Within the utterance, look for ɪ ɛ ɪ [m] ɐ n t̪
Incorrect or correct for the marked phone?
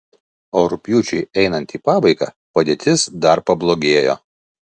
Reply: incorrect: n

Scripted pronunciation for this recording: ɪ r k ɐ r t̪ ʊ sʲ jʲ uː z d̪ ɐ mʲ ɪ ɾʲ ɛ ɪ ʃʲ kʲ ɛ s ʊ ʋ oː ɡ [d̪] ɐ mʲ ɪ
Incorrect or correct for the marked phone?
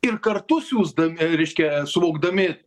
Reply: correct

